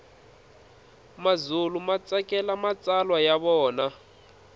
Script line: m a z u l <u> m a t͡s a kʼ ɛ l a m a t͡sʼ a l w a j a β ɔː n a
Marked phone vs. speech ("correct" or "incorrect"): correct